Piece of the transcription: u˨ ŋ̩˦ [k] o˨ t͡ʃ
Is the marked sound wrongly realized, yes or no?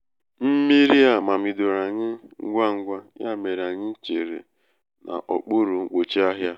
yes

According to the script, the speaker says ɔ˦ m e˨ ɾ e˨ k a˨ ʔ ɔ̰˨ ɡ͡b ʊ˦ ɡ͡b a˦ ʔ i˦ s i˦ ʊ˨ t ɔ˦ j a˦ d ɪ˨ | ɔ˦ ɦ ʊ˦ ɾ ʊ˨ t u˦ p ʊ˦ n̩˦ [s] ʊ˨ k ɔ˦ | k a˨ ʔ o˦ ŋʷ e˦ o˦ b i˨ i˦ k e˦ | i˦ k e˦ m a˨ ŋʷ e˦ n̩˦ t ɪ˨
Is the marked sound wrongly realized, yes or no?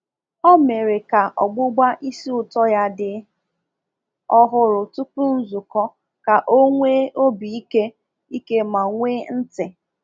yes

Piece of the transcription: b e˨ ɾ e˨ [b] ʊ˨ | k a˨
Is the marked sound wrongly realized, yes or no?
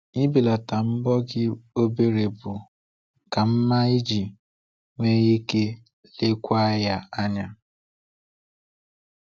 no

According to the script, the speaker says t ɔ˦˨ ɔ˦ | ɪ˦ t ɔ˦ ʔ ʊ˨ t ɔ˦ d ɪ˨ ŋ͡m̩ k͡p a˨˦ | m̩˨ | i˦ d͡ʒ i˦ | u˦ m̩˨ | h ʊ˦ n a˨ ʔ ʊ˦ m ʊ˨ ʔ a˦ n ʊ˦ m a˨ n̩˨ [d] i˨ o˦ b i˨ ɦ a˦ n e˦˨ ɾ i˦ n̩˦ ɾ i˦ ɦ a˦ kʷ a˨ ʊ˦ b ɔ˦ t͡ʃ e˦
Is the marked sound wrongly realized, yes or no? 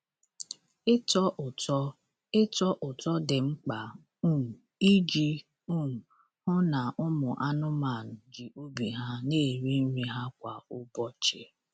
yes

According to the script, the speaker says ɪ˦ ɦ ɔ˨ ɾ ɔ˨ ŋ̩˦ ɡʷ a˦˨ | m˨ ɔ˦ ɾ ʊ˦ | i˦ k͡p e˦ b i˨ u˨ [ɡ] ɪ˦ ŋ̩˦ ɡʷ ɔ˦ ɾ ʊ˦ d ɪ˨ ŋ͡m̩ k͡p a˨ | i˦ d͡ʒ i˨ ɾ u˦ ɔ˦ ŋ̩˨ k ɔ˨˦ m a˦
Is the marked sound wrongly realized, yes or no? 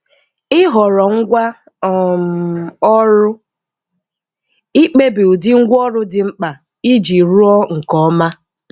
yes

